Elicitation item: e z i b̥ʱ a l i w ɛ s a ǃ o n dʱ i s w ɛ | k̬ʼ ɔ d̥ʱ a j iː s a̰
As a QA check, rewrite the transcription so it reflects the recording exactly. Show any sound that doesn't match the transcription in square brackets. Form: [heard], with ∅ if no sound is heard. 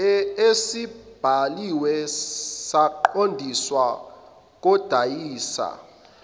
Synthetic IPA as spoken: e [s] i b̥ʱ a l i w ɛ s a ǃ o n dʱ i s w [a] | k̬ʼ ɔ d̥ʱ a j iː s a̰